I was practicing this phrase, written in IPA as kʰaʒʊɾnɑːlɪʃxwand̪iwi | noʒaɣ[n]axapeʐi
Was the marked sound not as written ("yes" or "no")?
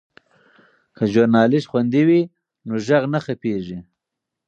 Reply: no